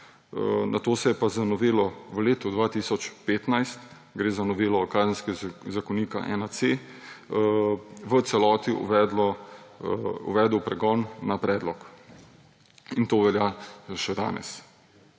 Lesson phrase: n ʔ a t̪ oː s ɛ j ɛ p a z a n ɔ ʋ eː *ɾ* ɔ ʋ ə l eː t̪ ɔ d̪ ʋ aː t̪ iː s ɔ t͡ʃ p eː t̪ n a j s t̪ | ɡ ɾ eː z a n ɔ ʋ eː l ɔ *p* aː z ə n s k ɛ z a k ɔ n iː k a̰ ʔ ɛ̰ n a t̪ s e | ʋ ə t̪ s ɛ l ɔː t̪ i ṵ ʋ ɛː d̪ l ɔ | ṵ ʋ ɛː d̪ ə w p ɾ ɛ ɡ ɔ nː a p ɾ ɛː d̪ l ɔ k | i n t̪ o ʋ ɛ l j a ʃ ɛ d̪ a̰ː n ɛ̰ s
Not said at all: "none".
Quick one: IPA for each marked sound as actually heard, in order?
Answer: l, k

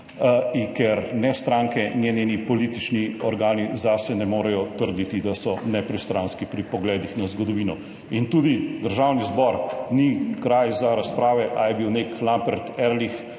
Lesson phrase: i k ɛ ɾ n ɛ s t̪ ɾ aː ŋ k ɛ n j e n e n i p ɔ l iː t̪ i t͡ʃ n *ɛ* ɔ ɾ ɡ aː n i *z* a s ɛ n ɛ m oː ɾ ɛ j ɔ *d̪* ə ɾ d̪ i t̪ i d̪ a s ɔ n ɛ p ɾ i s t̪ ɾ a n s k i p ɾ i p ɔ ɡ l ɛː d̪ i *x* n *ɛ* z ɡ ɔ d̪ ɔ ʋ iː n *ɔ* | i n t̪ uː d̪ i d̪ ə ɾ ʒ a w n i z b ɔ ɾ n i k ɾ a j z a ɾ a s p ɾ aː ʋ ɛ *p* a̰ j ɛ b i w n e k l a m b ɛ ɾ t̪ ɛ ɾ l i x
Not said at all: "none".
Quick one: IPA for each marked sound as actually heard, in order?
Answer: i, z, t̪, x, a, ɔ, ʔ

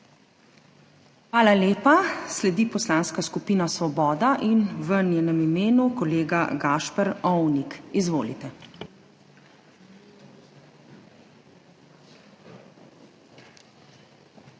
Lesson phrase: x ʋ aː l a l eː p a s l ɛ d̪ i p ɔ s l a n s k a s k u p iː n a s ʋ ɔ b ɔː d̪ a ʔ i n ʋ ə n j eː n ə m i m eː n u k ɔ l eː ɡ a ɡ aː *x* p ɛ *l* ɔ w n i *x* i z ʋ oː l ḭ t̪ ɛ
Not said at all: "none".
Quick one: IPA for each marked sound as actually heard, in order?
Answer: ʃ, ɾ, k

